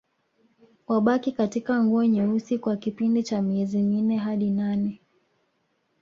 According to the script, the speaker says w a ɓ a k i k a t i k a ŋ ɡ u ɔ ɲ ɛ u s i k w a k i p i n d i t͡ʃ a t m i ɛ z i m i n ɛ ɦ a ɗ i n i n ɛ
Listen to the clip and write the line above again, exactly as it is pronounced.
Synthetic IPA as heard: w a ɓ a k i k a t i k a ŋ ɡ u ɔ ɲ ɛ u s i k w a k i p i n d i t͡ʃ a m i ɛ z i m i n ɛ ɦ a ɗ i n a n ɛ